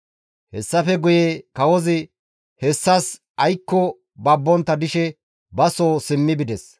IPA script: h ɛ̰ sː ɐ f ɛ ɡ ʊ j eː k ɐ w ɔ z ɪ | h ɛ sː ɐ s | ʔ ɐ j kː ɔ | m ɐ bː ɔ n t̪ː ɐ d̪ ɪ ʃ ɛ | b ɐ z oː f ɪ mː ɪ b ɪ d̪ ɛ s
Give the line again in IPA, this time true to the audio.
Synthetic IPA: h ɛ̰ sː ɐ f ɛ ɡ ʊ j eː k ɐ w ɔ z ɪ | h ɛ sː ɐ s | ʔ ɐ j kː ɔ | b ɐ bː ɔ n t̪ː ɐ d̪ ɪ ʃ ɛ | b ɐ s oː s ɪ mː ɪ b ɪ d̪ ɛ s

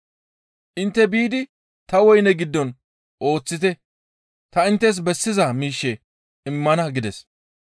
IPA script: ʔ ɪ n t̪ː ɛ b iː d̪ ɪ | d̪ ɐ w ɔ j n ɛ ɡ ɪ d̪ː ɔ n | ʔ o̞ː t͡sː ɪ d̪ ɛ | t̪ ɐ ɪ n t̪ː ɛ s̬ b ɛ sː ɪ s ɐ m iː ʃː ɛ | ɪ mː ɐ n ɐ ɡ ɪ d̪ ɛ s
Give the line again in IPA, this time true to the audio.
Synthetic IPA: ʔ ɪ n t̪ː ɛ b iː d̪ ɪ | t̪ ɐ w ɔ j n ɛ ɡ ɪ d̪ː ɔ n | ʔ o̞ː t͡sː ɪ t̪ ɛ | t̪ ɐ ɪ n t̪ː ɛ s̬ b ɛ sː ɪ z ɐ m iː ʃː ɛ | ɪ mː ɐ n ɐ ɡ ɪ d̪ ɛ s

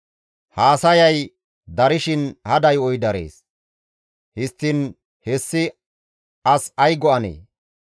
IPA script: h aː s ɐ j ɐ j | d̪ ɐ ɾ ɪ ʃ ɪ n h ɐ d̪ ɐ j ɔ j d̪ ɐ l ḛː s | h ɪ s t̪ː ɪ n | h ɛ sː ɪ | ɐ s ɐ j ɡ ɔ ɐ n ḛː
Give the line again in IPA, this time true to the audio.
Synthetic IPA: h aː s ɐ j ɐ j | d̪ ɐ ɾ ɪ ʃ ɪ n h ɐ d̪ ɐ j ɔ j d̪ ɐ ɾ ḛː s | h ɪ s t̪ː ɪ n | h ɛ sː ɪ | ɐ s ɐ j ɡ ɔ ɐ n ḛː

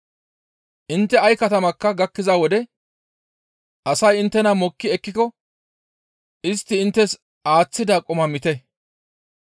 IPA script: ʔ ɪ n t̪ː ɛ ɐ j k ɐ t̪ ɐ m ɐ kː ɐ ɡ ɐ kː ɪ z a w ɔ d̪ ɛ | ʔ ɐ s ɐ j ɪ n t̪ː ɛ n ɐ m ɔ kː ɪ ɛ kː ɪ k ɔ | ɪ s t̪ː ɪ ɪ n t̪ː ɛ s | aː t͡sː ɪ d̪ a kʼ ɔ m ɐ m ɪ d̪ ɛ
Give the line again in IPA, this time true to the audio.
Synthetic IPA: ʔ ɪ n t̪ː ɛ ɐ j k ɐ t̪ ɐ m ɐ kː ɐ ɡ ɐ kː ɪ z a w ɔ d̪ ɛ | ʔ ɐ s ɐ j ɪ n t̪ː ɛ n ɐ m ɔ kː ɪ ɛ kː ɪ k ɔ | ɪ s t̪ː ɪ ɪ n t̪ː ɛ s | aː t͡sː ɪ d̪ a kʼ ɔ m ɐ m ɪ t̪ ɛ

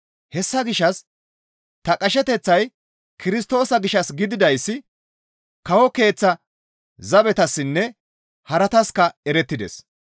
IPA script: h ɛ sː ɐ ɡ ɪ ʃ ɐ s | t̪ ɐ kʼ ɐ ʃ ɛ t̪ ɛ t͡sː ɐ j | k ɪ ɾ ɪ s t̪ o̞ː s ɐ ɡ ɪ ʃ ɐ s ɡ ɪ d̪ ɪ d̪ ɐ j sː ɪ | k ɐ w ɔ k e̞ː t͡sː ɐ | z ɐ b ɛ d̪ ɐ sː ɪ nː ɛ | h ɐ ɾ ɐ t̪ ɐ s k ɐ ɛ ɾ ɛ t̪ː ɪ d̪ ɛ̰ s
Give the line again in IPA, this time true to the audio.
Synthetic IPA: h ɛ sː ɐ ɡ ɪ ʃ ɐ s | t̪ ɐ kʼ ɐ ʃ ɛ t̪ ɛ t͡sː ɐ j | k ɪ ɾ ɪ s t̪ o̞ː s ɐ ɡ ɪ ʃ ɐ s ɡ ɪ d̪ ɪ d̪ ɐ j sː ɪ | k ɐ w ɔ k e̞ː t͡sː ɐ | z ɐ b ɛ t̪ ɐ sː ɪ nː ɛ | h ɐ ɾ ɐ t̪ ɐ s k ɐ ɛ ɾ ɛ t̪ː ɪ d̪ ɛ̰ s

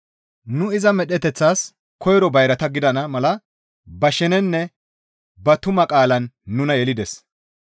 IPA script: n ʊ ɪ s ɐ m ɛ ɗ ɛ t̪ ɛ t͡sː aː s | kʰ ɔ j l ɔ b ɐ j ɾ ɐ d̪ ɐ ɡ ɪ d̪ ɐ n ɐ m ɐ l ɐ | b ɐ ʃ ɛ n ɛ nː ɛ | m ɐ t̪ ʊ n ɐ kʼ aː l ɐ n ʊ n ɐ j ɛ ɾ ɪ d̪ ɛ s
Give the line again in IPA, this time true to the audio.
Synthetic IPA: n ʊ ɪ z ɐ m ɛ ɗ ɛ t̪ ɛ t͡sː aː s | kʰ ɔ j ɾ ɔ b ɐ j ɾ ɐ t̪ ɐ ɡ ɪ d̪ ɐ n ɐ m ɐ l ɐ | b ɐ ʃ ɛ n ɛ nː ɛ | b ɐ t̪ ʊ m ɐ kʼ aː l ɐ nː ʊ n ɐ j ɛ l ɪ d̪ ɛ s

